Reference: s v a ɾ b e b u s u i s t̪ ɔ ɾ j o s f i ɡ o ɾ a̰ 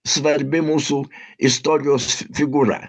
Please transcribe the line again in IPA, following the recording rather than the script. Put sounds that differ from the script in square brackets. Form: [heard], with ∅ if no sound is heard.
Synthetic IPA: s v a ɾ b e [m] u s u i s t̪ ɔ ɾ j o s f i ɡ [u] ɾ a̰

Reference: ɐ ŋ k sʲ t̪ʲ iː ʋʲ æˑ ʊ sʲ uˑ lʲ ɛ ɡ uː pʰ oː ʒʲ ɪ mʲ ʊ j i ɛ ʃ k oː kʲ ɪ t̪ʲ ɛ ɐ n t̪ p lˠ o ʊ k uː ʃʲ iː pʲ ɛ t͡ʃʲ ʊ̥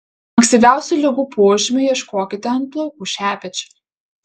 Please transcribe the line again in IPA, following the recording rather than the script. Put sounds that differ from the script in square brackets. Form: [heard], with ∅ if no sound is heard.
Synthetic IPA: ɐ ŋ k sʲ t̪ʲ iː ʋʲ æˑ ʊ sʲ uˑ lʲ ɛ ɡ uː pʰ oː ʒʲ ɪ mʲ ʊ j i ɛ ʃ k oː kʲ ɪ t̪ʲ ɛ ɐ n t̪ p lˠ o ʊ k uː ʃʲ [æː] pʲ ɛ t͡ʃʲ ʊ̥

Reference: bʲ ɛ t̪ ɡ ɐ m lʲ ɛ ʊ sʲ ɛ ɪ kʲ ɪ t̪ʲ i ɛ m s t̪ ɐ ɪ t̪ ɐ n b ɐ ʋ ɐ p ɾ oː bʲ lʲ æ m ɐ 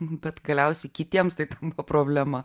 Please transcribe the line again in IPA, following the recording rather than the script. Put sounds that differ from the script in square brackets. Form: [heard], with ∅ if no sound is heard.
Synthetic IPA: bʲ ɛ t̪ ɡ ɐ [∅] lʲ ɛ ʊ sʲ ɛ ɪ kʲ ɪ t̪ʲ i ɛ m s t̪ ɐ ɪ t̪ ɐ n b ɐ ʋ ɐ p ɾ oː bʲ lʲ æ m ɐ

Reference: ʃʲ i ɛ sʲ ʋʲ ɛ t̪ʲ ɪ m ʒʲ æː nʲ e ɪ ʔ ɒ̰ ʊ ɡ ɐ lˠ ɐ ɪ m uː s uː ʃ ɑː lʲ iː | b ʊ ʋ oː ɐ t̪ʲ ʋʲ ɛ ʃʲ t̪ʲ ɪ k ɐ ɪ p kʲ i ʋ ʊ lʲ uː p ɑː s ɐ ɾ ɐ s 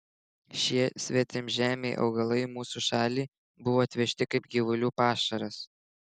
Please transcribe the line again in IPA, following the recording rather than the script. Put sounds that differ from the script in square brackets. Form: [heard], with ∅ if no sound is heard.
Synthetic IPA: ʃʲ i ɛ sʲ ʋʲ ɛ t̪ʲ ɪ m ʒʲ æː [mʲ] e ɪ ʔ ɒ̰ ʊ ɡ ɐ lˠ ɐ ɪ m uː s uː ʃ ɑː lʲ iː | b ʊ ʋ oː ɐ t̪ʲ ʋʲ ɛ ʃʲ t̪ʲ ɪ k ɐ ɪ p [ɡʲ] i ʋ ʊ lʲ uː p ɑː [ʃ] ɐ ɾ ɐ s

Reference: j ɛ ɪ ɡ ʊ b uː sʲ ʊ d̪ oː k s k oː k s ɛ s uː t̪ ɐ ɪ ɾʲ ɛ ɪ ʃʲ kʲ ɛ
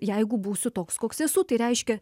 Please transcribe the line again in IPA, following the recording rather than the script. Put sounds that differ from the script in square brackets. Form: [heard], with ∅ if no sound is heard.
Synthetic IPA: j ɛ ɪ ɡ ʊ b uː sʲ ʊ [t̪] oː k s k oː k s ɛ s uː t̪ ɐ ɪ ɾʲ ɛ ɪ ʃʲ kʲ ɛ

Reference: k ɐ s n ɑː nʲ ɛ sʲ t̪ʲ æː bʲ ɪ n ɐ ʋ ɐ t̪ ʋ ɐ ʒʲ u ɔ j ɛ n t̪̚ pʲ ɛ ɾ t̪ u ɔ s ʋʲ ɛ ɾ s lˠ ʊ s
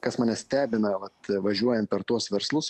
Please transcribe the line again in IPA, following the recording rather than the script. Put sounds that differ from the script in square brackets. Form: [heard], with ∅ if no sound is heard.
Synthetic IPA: k ɐ s [m] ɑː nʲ ɛ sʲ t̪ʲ æː bʲ ɪ n ɐ ʋ ɐ t̪ ʋ ɐ ʒʲ u ɔ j ɛ n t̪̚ pʲ ɛ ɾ t̪ u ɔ s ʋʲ ɛ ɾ s lˠ ʊ s

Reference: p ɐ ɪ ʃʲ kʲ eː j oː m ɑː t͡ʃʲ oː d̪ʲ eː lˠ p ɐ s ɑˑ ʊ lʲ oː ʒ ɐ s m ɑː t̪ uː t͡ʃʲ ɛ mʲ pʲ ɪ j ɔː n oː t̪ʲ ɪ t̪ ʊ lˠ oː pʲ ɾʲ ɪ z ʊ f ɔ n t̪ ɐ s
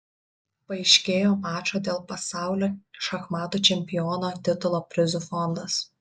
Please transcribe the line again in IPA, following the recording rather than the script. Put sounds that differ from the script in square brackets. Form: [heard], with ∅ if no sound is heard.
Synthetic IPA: p ɐ ɪ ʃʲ kʲ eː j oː m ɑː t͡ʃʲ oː d̪ʲ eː lˠ p ɐ s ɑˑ ʊ lʲ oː [ʃ] ɐ [x] m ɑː t̪ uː t͡ʃʲ ɛ mʲ pʲ ɪ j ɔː n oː t̪ʲ ɪ t̪ ʊ lˠ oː pʲ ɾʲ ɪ z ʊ f ɔ n [d̪] ɐ s

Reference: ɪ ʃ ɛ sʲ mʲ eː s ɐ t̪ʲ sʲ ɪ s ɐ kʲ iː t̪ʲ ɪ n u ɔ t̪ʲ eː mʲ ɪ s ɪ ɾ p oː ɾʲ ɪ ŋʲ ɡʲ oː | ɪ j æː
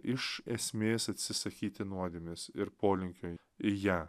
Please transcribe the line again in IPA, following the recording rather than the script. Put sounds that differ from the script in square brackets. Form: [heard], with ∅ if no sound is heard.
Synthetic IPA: ɪ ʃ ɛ sʲ mʲ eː s ɐ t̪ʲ sʲ ɪ s ɐ kʲ iː t̪ʲ ɪ n u ɔ [d̪ʲ] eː mʲ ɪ s ɪ ɾ p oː [lʲ] ɪ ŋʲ [kʲ] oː | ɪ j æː

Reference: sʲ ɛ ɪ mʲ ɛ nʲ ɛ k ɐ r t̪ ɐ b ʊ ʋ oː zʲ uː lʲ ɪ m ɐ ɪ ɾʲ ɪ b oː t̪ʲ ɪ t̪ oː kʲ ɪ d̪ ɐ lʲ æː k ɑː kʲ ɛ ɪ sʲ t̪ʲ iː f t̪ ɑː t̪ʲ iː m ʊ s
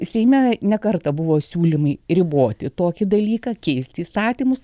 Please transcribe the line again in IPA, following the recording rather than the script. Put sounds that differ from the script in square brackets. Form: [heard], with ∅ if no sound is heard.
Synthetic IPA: sʲ ɛ ɪ mʲ ɛ nʲ ɛ k ɐ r t̪ ɐ b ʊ ʋ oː [sʲ] uː lʲ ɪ m ɐ ɪ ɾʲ ɪ b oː t̪ʲ ɪ t̪ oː kʲ ɪ d̪ ɐ lʲ [iː] k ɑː kʲ ɛ ɪ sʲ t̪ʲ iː [s] t̪ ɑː t̪ʲ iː m ʊ s

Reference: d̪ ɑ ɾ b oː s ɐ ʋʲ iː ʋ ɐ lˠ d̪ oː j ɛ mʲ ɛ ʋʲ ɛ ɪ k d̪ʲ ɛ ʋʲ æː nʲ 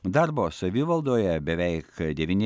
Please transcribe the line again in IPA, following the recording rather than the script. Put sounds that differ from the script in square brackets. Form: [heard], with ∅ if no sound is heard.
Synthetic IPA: d̪ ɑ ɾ b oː s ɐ ʋʲ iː ʋ ɐ lˠ d̪ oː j ɛ [bʲ] ɛ ʋʲ ɛ ɪ k d̪ʲ ɛ ʋʲ [iː] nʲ

